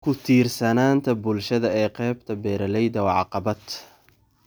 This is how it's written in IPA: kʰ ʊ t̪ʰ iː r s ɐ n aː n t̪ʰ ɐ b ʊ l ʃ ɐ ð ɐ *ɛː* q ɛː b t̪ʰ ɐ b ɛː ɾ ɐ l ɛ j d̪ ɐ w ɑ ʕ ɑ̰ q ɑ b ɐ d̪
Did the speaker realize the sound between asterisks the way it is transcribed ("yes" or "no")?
yes